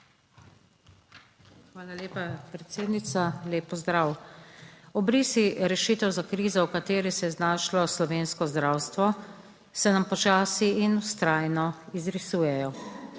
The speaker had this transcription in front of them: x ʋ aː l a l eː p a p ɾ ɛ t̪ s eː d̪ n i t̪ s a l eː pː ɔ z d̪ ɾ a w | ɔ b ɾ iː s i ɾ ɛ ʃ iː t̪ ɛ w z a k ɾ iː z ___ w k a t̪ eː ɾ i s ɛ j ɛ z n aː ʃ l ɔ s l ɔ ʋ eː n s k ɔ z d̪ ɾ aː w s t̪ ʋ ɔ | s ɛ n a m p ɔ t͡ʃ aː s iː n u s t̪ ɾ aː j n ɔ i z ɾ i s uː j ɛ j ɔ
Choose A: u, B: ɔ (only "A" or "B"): B